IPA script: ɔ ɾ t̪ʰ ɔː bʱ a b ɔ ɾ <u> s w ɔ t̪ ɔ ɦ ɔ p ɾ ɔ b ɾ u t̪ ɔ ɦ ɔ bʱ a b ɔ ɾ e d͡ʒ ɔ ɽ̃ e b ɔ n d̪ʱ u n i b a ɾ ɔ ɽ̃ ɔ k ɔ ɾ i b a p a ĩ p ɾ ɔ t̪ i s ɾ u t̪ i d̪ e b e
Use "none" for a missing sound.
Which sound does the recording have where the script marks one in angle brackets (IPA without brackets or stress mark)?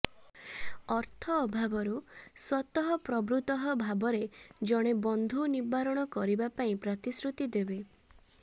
u